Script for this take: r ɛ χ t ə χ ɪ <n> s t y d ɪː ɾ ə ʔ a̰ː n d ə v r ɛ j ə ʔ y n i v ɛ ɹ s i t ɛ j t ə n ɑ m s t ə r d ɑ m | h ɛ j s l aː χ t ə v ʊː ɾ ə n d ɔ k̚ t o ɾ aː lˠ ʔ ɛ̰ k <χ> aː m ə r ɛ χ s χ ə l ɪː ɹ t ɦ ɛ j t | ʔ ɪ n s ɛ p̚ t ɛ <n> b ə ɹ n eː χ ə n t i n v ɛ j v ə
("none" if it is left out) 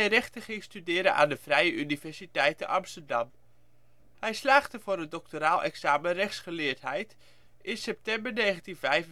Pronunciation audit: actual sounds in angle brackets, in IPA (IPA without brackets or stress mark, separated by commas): ŋ, s, m